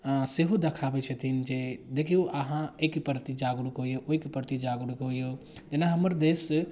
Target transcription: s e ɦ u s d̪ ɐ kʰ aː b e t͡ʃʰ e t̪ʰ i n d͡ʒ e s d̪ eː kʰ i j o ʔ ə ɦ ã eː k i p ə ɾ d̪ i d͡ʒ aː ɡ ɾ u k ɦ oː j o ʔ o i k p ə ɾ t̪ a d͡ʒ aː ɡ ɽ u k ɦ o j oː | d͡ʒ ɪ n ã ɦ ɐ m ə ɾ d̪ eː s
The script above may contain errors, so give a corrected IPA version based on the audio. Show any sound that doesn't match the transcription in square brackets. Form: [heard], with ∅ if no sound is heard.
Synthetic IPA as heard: s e ɦ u [∅] d̪ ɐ kʰ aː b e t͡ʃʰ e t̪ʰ i n d͡ʒ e [∅] d̪ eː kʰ i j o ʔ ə ɦ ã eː k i p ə ɾ [t̪] i d͡ʒ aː ɡ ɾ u k ɦ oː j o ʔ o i k p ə ɾ t̪ [i] d͡ʒ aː ɡ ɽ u k ɦ o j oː | d͡ʒ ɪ n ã ɦ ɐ m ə ɾ d̪ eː s